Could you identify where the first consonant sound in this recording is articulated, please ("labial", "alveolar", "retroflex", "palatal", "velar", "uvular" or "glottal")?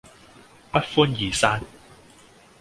labial